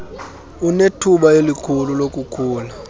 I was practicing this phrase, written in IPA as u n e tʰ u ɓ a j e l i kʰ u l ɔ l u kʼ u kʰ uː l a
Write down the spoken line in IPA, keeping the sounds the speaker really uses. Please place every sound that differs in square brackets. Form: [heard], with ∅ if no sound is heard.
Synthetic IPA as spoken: u n e tʰ u ɓ a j e l i kʰ u l [u] l [o] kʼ u kʰ uː l a